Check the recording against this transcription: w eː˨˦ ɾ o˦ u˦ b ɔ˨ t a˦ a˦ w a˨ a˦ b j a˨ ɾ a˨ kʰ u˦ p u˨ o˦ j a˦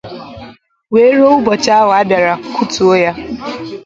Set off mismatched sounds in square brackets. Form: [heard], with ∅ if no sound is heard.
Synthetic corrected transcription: w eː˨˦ ɾ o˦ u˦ b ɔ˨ [t͡ʃ] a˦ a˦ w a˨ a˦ b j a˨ ɾ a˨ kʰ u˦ [t] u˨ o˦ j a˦